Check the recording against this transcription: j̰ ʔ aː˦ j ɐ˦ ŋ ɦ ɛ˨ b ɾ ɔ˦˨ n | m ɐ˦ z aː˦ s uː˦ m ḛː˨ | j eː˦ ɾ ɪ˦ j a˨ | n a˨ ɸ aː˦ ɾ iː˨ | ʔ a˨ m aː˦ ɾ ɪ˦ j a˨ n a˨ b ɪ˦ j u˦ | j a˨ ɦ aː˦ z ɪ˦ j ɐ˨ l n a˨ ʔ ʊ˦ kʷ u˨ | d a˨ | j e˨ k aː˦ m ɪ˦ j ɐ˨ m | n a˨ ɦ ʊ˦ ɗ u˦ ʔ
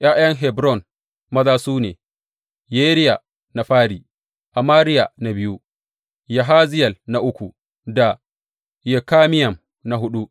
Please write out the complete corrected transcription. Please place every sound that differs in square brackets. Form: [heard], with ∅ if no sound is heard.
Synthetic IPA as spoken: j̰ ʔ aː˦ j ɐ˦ ŋ ɦ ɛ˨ b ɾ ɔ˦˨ n | m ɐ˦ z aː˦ s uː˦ [n] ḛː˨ | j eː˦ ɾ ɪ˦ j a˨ | n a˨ ɸ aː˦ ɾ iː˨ | ʔ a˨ m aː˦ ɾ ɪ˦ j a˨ n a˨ b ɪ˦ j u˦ | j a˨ ɦ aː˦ z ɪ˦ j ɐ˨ l n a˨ ʔ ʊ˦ kʷ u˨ | d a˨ | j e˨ k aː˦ m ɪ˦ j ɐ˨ m | n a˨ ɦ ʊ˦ ɗ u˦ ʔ